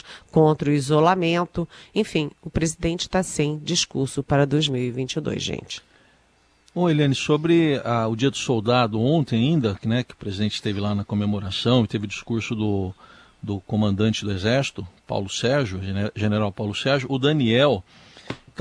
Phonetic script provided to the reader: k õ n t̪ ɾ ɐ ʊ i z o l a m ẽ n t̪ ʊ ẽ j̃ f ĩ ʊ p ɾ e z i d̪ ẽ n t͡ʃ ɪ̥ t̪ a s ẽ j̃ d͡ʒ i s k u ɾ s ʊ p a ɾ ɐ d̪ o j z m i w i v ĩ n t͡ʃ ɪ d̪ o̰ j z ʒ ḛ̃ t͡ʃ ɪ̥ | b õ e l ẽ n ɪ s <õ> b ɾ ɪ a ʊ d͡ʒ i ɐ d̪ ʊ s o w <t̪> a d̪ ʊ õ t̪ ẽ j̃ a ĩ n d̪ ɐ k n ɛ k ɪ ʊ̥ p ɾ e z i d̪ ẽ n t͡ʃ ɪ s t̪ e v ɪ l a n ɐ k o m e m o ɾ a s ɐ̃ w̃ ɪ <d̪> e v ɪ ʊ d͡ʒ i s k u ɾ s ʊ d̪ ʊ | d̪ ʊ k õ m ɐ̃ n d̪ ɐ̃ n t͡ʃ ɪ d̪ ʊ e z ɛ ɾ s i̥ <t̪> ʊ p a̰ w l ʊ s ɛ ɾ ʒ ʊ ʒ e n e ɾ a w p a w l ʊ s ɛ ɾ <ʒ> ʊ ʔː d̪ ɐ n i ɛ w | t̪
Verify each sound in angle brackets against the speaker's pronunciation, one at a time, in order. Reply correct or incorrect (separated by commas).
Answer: incorrect, incorrect, incorrect, correct, correct